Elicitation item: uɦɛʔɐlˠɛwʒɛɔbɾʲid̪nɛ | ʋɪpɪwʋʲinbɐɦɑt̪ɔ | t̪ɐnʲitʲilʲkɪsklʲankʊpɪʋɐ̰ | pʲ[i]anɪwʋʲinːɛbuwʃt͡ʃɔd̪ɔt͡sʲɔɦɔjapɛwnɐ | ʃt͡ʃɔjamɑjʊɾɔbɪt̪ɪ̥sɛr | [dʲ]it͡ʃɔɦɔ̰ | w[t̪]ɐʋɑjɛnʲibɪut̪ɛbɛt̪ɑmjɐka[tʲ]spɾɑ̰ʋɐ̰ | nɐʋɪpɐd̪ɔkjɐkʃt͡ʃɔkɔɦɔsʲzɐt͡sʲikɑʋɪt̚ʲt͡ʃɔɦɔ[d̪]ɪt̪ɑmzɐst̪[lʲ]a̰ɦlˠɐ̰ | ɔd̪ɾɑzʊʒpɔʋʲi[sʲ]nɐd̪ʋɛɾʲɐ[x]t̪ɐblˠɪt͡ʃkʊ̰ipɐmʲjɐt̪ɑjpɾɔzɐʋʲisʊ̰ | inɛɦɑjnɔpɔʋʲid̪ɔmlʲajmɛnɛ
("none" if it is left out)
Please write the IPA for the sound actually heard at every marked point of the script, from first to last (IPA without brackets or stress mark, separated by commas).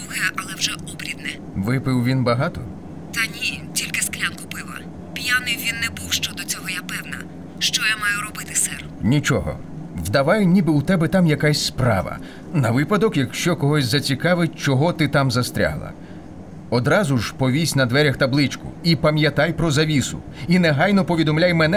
j, nʲ, d̪, sʲ, t̪, ɾʲ, sʲ, x